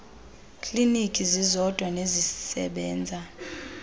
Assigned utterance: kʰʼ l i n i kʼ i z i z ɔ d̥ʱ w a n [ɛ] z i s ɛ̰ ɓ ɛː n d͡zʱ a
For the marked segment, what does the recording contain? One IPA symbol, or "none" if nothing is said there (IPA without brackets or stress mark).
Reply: e